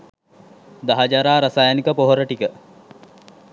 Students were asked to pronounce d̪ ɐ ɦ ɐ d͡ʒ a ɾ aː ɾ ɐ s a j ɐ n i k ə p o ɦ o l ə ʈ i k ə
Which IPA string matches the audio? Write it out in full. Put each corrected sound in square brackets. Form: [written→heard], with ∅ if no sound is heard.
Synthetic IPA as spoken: d̪ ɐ ɦ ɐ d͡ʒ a ɾ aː ɾ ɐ s a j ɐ n i k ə p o ɦ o [l→ɾ] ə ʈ i k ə